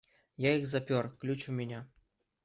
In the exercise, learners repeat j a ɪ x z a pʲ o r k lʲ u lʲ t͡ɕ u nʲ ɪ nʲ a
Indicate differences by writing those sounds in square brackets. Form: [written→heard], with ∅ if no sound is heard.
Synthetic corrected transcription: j a [ɪ→i] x z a pʲ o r k lʲ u [lʲ→∅] t͡ɕ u [nʲ→mʲ] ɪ nʲ a

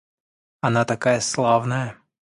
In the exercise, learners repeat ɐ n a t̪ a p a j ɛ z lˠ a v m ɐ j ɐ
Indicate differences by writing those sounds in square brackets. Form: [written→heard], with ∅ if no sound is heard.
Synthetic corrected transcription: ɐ n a t̪ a [p→k] a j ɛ [z→s] lˠ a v [m→n] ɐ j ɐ

